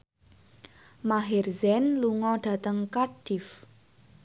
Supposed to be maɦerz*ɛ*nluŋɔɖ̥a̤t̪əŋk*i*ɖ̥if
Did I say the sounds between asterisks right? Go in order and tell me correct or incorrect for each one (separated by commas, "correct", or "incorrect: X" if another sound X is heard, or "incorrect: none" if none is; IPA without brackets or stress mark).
correct, incorrect: a